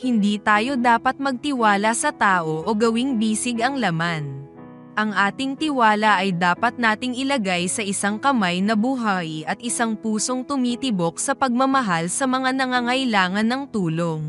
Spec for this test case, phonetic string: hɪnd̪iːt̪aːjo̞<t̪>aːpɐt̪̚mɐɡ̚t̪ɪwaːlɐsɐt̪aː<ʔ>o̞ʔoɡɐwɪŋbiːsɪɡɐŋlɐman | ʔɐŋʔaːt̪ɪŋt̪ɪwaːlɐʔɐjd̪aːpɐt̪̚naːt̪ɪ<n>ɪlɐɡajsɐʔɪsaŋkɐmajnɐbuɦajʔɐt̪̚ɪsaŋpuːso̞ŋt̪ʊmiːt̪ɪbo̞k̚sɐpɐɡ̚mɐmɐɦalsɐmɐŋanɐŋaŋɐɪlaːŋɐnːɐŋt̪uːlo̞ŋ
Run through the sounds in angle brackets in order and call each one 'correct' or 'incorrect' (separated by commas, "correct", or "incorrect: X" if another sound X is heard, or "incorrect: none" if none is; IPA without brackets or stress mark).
incorrect: d̪, correct, incorrect: ŋ